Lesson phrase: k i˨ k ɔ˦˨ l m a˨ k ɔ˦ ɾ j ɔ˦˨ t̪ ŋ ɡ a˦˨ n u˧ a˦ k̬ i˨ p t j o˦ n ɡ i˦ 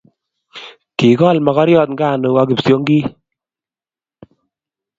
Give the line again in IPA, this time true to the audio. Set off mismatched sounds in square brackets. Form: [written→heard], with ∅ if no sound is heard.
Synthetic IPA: k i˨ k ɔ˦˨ l m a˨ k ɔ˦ ɾ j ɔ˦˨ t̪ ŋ ɡ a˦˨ n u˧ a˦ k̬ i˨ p [t→s] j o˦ [n→ŋ] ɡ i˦